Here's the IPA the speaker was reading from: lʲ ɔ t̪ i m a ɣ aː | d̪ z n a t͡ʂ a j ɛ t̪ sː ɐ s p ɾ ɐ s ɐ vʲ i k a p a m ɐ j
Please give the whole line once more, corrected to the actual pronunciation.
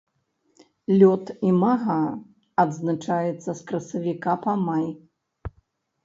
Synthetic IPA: lʲ ɔ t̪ i m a ɣ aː | d̪ z n a t͡ʂ a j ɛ t̪ sː ɐ s k ɾ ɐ s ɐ vʲ i k a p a m a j